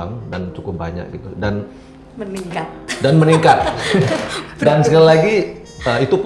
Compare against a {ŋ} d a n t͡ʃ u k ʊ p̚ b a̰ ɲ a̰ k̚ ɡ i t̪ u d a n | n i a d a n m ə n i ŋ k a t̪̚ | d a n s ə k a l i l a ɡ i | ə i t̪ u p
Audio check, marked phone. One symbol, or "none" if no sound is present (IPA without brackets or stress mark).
ŋ